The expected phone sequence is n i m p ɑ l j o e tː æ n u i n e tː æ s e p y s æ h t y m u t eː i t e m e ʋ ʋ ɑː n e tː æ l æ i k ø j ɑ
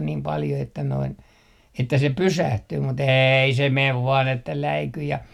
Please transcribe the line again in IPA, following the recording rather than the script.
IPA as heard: n iː m p ɑ l j o e tː æ n o i n e tː æ s e p y s æ h t yː m u t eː i s e m e ʋ ʋ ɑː n e tː æ l æ i k y j ɑ

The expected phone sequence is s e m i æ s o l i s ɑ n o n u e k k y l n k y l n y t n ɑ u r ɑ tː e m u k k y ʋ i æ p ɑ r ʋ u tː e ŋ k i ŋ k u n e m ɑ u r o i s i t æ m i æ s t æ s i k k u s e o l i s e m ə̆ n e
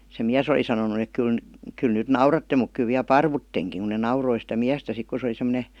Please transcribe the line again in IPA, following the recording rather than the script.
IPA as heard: s e m i æ s o l i s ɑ n o n u e k k y l n k y l n y t n ɑ u r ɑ tː e m u k k y ʋ i æ p ɑ r ʋ u tː e ŋ k i ŋ k u n e n ɑ u r o i s i t æ m i æ s t æ s i k k u s e o l i s e m ə̆ n e

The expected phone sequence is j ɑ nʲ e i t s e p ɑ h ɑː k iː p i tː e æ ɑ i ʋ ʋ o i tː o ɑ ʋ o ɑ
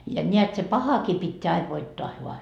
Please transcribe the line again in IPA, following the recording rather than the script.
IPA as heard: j ɑ nʲ e æ t s e p ɑ h ɑ k iː p i tː e æ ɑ i ʋ ʋ o i tː o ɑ ʋ o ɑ

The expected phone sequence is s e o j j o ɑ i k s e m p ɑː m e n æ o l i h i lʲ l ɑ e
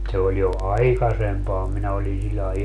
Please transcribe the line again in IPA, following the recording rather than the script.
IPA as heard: s e o j j o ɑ i k s e m p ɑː m i n æ o l i s i lʲ l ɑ e

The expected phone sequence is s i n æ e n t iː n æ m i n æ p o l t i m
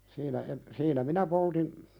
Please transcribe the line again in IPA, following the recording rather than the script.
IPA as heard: s iː n æ e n s iː n æ m i n æ p o l t i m

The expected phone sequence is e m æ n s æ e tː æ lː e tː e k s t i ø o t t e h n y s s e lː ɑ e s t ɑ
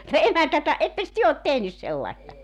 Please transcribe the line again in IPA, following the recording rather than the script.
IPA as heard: e m æ n t æ e tː æ e tː e k s t y ø o t t e h n y s s e lː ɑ e s t ɑ

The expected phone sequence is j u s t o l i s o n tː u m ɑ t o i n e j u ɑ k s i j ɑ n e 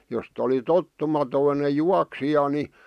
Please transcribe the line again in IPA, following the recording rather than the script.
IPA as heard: j o s t o l i t o tː u m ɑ t o i n e j u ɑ k s i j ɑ n i

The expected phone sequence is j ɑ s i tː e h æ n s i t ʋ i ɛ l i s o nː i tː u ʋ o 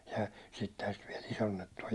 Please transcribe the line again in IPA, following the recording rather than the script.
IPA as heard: j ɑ s i tː e h æ n s i t ʋ i ɛ l i s o nː e tː u o

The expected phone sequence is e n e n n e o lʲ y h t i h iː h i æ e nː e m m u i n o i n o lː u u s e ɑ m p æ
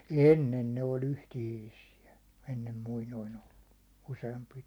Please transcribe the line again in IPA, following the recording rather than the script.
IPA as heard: e nː e n n e o lʲ y h t i h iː s i æ e nː e m m u i n o i n o lː u u s e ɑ m p i

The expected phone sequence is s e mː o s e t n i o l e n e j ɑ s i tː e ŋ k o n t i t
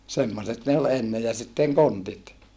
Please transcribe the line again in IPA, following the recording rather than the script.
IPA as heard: s e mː o s e t n e o l e nː e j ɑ s i tː e ŋ k o n t i t

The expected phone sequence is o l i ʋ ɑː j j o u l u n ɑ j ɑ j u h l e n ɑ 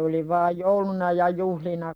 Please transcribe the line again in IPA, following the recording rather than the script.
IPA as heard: o l i ʋ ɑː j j o u l u n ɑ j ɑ j u h l i n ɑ

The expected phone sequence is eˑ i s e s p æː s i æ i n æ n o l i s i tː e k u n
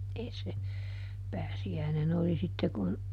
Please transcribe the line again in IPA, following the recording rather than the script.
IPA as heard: eˑ i s e p æː s i æ i n e n o l i s i tː e k u n

